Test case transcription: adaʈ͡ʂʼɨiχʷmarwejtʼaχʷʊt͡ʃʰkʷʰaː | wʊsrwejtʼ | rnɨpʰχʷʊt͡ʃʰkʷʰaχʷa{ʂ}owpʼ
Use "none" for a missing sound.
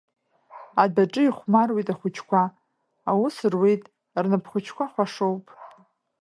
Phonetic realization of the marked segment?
ʂ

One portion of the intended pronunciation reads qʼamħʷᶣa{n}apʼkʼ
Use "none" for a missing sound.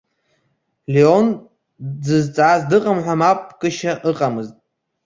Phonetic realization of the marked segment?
m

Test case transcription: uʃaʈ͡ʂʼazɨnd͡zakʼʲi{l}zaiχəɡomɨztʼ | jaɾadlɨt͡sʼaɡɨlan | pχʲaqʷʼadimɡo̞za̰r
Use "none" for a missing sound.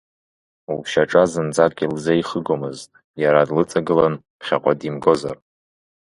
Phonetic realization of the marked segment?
l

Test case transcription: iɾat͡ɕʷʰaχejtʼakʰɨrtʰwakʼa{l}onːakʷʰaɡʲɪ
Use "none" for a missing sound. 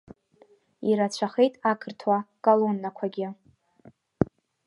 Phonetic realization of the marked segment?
l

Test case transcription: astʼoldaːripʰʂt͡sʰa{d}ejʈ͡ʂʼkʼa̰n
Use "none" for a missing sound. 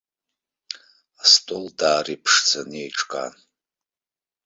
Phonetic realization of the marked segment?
n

